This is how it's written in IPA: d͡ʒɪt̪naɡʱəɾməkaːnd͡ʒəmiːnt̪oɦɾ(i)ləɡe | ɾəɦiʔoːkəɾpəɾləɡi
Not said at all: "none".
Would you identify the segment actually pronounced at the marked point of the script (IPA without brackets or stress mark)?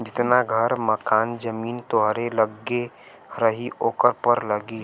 e